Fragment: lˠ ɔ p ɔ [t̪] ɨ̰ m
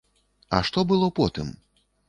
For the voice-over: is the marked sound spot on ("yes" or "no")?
yes